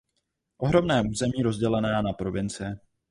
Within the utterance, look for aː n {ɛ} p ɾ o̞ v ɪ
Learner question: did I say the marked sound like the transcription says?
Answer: no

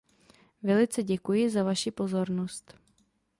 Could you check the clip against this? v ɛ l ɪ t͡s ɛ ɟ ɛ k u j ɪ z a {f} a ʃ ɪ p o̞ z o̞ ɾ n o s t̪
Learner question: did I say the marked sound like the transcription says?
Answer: no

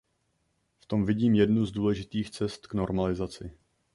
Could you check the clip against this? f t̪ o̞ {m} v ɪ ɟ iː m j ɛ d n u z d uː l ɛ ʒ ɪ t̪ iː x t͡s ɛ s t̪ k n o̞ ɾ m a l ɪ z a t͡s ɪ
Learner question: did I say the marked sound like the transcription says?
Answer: yes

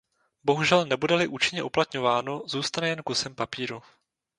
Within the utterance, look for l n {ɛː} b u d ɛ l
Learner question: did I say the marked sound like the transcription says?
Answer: no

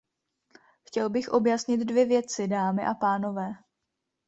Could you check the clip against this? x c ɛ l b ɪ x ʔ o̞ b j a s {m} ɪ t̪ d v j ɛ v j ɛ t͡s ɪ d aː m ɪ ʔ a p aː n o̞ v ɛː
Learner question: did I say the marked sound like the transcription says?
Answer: no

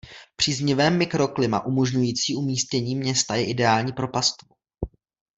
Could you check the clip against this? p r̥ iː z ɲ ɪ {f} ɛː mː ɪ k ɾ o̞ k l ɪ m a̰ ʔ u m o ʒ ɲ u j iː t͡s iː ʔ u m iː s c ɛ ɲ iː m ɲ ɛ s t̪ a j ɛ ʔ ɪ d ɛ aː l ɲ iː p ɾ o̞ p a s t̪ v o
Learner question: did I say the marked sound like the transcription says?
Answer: no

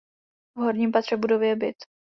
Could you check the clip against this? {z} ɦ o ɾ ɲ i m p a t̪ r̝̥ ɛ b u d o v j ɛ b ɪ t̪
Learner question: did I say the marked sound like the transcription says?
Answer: no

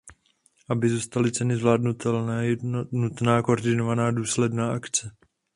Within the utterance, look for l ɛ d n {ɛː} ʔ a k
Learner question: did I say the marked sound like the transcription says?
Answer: no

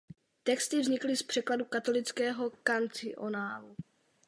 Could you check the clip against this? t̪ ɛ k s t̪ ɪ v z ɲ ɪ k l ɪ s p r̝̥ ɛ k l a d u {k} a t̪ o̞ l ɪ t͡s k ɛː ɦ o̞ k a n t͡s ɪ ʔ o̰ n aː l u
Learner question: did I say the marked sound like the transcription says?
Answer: yes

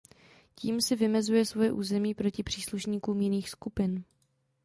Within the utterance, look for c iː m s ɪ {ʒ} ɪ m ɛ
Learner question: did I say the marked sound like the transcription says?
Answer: no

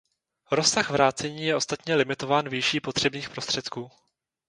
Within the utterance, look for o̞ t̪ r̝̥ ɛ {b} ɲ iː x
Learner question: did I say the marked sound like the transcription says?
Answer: yes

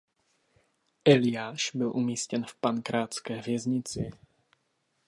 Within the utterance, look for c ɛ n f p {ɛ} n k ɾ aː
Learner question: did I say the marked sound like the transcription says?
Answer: no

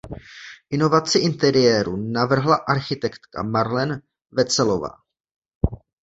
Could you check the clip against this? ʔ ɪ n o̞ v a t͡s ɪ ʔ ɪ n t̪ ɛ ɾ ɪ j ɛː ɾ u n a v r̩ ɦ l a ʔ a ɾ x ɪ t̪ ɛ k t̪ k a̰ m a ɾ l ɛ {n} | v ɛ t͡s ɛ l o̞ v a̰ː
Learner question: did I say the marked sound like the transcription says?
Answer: yes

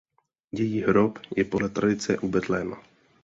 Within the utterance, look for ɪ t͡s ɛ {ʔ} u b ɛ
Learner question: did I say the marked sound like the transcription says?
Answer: yes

